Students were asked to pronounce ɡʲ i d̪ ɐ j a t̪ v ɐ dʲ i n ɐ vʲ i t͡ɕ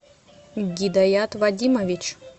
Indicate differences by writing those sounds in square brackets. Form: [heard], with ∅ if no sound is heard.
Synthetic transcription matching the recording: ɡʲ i d̪ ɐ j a t̪ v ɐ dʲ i [m] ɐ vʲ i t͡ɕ